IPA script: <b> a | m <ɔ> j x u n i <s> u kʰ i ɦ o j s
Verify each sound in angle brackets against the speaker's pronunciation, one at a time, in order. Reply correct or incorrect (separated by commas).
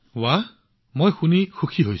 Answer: incorrect, incorrect, incorrect